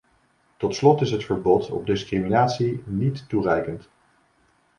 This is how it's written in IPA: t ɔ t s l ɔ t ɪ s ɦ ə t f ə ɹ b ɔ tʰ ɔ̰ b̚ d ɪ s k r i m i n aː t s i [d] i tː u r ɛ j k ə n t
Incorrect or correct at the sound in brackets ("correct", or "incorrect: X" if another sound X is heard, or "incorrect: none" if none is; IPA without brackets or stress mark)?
incorrect: n